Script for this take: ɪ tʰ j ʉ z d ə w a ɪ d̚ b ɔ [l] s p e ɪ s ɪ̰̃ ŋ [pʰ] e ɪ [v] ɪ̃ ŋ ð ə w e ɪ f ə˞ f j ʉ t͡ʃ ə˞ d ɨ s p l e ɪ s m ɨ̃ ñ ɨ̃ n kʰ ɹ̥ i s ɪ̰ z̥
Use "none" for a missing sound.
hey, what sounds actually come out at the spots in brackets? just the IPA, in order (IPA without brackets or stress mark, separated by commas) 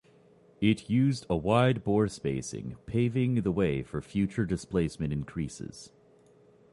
ɹ, pʰ, v